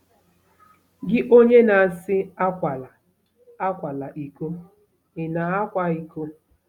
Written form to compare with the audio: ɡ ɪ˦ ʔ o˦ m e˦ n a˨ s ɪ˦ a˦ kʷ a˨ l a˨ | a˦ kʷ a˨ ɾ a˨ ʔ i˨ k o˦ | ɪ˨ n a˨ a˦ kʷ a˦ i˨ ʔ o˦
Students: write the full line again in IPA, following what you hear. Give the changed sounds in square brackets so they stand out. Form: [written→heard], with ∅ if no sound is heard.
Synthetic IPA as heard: ɡ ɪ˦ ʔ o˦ [m→ɲ] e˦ n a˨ s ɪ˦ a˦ kʷ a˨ l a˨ | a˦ kʷ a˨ [ɾ→l] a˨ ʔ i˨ k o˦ | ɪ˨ n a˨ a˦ kʷ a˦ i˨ [ʔ→k] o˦